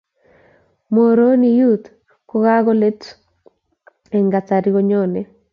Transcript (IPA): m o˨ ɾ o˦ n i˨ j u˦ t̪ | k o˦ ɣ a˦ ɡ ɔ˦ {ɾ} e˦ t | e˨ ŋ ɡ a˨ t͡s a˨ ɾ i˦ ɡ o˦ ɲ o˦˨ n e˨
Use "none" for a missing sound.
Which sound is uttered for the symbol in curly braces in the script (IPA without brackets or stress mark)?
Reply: l